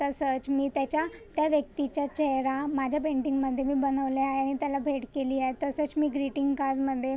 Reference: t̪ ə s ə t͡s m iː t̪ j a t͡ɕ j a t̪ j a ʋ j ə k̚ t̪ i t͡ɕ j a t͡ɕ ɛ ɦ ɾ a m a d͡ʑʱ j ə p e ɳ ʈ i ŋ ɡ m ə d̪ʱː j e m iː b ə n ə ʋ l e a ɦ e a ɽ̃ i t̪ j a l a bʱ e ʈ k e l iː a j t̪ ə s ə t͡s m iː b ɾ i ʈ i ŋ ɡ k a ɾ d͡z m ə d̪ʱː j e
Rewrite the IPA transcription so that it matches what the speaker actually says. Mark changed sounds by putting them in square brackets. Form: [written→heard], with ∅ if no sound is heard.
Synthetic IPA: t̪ ə s ə t͡s m iː t̪ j a t͡ɕ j a t̪ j a ʋ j ə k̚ t̪ i t͡ɕ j a t͡ɕ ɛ ɦ ɾ a m a d͡ʑʱ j [ə→a] p e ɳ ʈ i ŋ ɡ m ə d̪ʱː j e m iː b ə n ə ʋ l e a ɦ e a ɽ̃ i t̪ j a l a bʱ e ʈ k e l iː a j t̪ ə s ə t͡s m iː [b→ɡ] ɾ i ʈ i ŋ ɡ k a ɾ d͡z m ə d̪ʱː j e

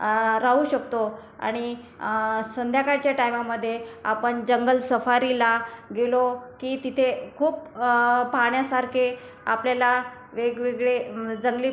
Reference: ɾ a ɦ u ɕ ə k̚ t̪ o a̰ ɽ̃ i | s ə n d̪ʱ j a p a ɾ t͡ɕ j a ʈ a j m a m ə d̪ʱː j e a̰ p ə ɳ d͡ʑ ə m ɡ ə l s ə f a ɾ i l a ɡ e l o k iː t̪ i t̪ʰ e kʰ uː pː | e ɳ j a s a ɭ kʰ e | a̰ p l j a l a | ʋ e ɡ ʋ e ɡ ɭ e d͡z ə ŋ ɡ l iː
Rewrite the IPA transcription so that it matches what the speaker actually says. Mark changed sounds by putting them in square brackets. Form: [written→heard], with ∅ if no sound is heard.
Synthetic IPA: ɾ a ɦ u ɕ ə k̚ t̪ o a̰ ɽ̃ i | s ə n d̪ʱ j a [p→k] a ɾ t͡ɕ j a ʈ a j m a m ə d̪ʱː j e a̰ p ə ɳ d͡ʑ ə [m→ŋ] ɡ ə l s ə f a ɾ i l a ɡ e l o k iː t̪ i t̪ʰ e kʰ uː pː | [e→a] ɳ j a s a [ɭ→ɾ] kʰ e | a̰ p l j a l a | ʋ e ɡ ʋ e ɡ ɭ e d͡z ə ŋ ɡ l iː

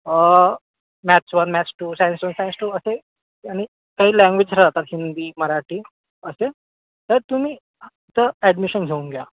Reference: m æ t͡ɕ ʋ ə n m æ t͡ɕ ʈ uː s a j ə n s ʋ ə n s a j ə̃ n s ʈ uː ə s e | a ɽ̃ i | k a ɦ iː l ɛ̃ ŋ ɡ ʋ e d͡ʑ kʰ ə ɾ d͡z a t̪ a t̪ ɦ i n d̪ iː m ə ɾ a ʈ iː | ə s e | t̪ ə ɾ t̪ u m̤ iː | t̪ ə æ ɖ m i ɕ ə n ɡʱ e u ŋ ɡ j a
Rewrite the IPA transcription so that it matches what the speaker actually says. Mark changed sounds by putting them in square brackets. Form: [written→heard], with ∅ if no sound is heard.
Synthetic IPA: m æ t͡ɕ ʋ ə n m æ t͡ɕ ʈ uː s a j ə n s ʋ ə n s a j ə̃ n s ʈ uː ə s e | a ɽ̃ i | k a ɦ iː l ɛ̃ ŋ ɡ ʋ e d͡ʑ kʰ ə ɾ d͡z a t̪ a t̪ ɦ i n d̪ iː m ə ɾ a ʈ iː | ə s e | t̪ ə ɾ t̪ u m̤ iː | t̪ ə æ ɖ m i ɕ ə n ɡʱ e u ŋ ɡ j a

